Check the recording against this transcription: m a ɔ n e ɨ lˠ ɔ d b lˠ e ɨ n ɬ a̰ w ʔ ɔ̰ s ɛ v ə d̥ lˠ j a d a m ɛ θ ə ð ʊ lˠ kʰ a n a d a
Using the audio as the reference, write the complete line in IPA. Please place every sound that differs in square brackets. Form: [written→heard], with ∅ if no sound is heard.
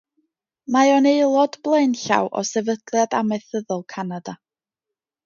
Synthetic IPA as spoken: m a ɔ n e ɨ lˠ ɔ d b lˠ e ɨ n ɬ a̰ w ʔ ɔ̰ s ɛ v ə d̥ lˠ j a d a m ɛ θ ə ð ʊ lˠ kʰ a n a d a